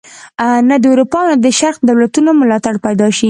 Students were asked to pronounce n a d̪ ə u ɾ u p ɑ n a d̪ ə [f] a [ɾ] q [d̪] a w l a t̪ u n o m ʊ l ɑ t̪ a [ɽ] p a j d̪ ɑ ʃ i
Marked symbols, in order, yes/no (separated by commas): no, yes, yes, yes